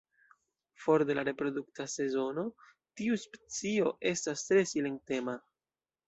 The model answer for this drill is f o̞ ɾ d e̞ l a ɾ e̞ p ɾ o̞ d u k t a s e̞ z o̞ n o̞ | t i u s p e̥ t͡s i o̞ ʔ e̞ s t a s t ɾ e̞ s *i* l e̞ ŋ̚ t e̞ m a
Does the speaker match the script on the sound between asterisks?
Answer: yes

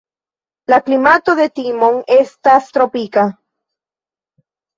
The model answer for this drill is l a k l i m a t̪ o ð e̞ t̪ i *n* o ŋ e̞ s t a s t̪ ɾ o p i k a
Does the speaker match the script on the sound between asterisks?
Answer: no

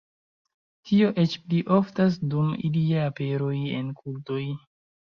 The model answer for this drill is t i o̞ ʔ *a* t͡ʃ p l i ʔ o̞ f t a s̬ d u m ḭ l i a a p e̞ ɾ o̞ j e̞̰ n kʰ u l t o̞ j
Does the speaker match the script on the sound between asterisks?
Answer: no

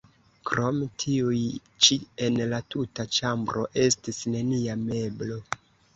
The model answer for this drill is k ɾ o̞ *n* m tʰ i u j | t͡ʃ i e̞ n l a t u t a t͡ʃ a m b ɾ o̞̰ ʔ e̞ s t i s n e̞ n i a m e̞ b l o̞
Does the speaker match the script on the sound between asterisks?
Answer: no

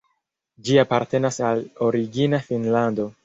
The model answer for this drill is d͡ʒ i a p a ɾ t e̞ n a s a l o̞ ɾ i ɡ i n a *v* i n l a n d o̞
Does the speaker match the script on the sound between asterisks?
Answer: no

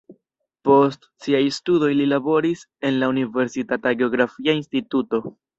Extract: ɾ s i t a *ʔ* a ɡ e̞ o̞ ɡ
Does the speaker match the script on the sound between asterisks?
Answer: no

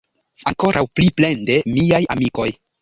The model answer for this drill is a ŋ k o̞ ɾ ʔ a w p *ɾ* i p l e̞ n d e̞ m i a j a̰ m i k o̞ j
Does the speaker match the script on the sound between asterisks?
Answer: no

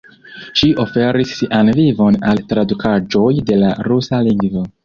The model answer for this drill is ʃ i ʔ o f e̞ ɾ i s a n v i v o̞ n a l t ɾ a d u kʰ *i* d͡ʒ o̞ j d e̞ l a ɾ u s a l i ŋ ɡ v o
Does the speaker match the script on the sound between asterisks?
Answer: no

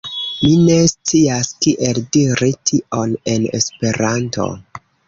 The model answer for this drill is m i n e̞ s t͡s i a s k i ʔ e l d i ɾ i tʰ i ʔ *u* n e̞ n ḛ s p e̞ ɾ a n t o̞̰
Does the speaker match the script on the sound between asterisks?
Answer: no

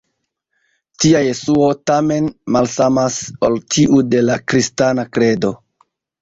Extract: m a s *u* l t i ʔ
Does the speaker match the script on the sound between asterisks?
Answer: no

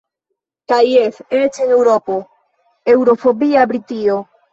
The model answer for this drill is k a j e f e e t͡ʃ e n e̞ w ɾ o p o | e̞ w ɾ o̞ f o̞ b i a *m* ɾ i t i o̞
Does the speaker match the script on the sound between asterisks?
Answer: no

